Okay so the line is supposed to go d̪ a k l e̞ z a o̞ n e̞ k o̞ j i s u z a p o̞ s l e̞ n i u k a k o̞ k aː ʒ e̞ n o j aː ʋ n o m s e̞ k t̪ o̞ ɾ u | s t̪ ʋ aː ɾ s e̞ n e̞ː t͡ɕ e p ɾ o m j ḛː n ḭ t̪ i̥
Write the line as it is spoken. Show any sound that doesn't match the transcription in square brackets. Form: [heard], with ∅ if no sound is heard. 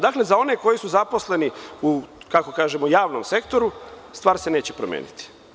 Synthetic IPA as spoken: d̪ a k l e̞ z a o̞ n e̞ k o̞ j i s u z a p o̞ s l e̞ n i u k a k o̞ k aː ʒ e̞ [m] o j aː ʋ n o m s e̞ k t̪ o̞ ɾ u | s t̪ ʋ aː ɾ s e̞ n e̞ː t͡ɕ e p ɾ o m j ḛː n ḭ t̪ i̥